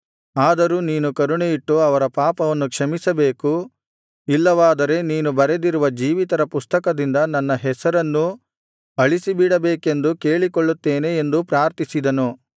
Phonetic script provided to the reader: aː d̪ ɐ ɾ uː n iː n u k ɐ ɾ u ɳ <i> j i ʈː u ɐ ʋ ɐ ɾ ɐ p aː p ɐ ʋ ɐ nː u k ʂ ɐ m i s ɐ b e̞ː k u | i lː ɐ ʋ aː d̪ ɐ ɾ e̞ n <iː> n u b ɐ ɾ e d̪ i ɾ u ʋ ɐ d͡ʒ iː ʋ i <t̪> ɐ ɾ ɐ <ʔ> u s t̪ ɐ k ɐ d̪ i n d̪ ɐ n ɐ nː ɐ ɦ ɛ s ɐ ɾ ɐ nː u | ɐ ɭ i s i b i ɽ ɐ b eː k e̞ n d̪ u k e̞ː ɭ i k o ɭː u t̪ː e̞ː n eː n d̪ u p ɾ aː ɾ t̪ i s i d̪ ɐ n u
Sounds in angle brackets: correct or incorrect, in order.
incorrect, correct, correct, incorrect

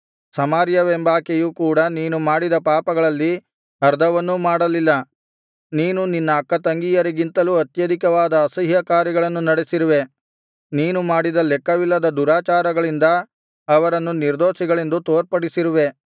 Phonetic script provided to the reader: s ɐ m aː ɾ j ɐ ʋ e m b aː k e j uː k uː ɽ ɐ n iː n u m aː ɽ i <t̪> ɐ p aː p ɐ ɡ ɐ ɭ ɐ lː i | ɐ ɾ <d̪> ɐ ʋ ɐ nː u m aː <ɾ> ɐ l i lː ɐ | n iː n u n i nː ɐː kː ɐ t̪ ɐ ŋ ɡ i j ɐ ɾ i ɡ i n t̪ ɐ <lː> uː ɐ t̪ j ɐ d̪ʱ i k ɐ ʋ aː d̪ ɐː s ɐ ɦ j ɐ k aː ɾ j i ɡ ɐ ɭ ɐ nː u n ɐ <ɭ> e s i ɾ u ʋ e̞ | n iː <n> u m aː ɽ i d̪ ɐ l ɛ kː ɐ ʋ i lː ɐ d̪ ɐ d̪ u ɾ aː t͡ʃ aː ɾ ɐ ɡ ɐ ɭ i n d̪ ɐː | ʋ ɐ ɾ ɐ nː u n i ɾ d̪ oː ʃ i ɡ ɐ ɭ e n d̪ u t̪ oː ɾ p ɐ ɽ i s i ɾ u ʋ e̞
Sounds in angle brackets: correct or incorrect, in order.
incorrect, correct, incorrect, incorrect, incorrect, correct

